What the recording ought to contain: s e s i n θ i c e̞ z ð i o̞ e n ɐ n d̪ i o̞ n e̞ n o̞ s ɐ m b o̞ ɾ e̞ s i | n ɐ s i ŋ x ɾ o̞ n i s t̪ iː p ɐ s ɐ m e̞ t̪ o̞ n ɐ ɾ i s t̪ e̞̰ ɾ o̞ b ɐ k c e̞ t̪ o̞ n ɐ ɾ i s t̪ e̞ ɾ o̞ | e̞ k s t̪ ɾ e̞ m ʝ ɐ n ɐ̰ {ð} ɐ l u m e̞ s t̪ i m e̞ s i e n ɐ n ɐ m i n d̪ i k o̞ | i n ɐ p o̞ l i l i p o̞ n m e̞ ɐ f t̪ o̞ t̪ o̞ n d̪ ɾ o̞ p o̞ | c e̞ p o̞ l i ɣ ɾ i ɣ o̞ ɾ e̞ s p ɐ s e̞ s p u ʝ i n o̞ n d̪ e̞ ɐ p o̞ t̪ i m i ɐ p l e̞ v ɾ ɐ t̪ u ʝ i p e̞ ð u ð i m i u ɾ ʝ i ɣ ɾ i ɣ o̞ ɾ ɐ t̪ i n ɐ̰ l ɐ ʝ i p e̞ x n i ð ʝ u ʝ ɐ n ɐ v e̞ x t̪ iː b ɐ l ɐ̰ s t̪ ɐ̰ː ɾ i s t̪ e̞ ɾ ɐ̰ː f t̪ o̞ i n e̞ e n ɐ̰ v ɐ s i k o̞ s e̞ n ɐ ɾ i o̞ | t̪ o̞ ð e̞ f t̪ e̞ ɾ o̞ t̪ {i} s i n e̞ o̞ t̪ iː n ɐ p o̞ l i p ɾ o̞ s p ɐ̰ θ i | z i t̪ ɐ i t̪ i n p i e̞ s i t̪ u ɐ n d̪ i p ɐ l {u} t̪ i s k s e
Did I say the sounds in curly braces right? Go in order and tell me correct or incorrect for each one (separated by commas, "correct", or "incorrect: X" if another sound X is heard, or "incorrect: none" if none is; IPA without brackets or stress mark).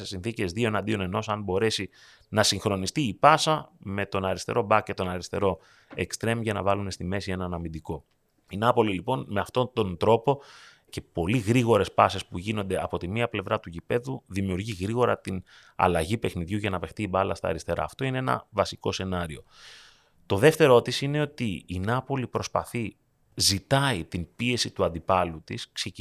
incorrect: v, correct, correct